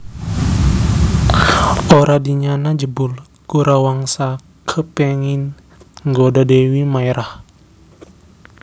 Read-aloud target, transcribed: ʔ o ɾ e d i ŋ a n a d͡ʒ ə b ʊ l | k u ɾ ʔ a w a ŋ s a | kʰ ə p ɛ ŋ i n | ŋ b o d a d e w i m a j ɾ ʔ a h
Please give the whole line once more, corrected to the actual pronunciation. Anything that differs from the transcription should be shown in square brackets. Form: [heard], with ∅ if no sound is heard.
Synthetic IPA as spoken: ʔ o ɾ [a] d i [ɲ] a n a d͡ʒ ə b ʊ l | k u ɾ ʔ a w a ŋ s a | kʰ ə p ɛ ŋ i n | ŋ [ɡ] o d a d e w i m a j ɾ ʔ a h